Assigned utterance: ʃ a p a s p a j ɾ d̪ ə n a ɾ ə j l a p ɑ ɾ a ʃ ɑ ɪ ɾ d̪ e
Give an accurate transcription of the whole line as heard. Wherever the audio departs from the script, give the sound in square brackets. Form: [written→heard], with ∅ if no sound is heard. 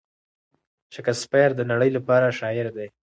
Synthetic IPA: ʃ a [p→k] a s p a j ɾ d̪ ə n a [ɾ→ɽ] ə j l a p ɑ ɾ a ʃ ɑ ɪ ɾ d̪ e